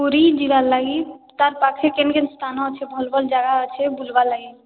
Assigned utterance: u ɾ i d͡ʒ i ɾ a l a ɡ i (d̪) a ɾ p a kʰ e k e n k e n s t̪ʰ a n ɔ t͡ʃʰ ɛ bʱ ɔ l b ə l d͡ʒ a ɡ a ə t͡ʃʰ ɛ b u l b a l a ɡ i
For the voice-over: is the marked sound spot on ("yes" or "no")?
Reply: no